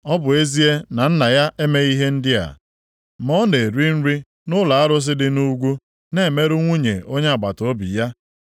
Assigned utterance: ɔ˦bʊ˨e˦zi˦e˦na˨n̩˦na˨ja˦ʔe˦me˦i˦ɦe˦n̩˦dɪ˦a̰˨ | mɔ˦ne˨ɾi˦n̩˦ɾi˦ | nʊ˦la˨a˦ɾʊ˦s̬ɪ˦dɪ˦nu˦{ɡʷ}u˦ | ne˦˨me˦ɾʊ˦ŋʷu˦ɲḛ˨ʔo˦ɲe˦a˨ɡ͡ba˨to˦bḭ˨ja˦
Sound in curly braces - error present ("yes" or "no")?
no